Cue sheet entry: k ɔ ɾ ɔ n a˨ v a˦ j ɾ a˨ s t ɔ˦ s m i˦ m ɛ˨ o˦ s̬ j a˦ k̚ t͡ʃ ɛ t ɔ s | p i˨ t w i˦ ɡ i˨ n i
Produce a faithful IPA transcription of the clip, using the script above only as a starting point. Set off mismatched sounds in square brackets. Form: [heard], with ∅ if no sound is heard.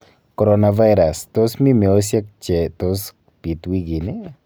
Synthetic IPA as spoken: k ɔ ɾ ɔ n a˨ v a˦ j ɾ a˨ s t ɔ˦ s m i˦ m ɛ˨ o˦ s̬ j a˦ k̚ t͡ʃ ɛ t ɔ s | p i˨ t w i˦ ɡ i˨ n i